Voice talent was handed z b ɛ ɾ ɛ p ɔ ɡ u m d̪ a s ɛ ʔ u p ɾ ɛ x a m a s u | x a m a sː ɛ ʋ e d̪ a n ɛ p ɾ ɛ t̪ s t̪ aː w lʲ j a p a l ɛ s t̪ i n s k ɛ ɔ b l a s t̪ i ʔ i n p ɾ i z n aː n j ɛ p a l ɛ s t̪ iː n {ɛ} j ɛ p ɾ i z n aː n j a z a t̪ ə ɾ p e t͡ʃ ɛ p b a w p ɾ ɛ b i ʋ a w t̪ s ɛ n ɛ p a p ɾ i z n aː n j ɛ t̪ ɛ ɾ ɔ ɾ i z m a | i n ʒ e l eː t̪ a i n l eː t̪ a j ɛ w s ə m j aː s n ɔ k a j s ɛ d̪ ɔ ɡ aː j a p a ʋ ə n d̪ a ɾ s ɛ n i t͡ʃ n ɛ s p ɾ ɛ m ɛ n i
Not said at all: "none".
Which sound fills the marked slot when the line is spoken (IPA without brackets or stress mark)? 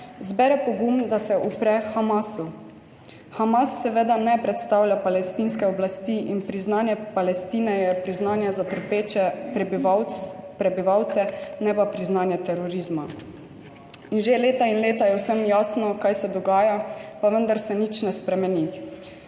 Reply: ɛ